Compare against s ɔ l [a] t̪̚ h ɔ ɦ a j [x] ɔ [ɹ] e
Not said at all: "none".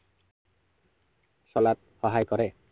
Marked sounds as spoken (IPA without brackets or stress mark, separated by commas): a, k, ɾ